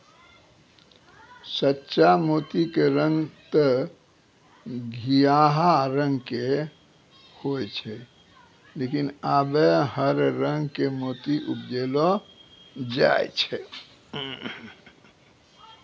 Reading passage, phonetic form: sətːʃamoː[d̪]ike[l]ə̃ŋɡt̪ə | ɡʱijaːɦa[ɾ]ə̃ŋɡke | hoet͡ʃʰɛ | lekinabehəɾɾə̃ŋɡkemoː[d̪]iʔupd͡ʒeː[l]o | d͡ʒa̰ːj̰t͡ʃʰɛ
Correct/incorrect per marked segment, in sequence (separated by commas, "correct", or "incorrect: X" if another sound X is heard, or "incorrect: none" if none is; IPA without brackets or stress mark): incorrect: t̪, incorrect: ɾ, correct, incorrect: t̪, correct